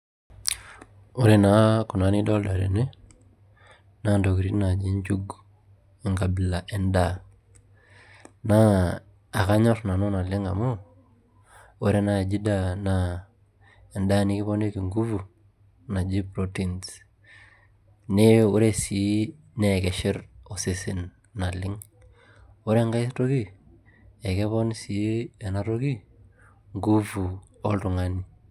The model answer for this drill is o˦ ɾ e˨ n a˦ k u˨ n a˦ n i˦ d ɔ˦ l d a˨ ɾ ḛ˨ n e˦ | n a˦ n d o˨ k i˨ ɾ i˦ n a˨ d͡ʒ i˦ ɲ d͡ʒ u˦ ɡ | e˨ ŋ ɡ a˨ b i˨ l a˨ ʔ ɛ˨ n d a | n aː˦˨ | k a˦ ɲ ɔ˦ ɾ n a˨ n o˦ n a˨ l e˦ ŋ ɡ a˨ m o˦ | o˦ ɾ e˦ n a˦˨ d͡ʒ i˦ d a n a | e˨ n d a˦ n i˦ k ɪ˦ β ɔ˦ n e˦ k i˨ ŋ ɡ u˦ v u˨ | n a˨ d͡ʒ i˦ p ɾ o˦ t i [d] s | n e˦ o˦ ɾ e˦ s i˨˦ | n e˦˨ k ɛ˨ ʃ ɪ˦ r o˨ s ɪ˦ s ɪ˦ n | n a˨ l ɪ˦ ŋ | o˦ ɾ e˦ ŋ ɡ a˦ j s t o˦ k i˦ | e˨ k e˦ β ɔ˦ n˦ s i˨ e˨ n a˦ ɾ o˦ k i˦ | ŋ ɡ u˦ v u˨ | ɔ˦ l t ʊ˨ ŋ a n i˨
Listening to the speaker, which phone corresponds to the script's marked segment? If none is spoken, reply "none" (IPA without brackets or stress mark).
n